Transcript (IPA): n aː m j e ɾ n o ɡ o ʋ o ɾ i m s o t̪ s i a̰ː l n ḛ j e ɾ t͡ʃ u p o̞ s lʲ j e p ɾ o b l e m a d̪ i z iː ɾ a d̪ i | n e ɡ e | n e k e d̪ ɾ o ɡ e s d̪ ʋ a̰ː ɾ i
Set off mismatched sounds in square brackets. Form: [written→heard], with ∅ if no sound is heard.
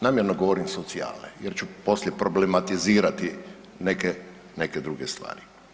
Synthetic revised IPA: n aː m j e ɾ n o ɡ o ʋ o ɾ i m s o t̪ s i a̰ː l n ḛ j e ɾ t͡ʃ u p o̞ s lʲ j e p ɾ o b l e m a [d̪→t̪] i z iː ɾ a [d̪→t̪] i | n e [ɡ→k] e | n e k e d̪ ɾ [o→u] ɡ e s [d̪→t̪] ʋ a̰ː ɾ i